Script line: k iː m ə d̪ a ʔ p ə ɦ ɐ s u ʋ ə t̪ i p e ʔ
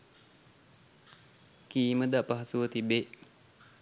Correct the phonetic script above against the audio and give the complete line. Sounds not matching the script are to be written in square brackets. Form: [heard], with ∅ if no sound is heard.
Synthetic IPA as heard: k iː m ə d̪ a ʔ p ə ɦ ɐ s u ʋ ə t̪ i [b] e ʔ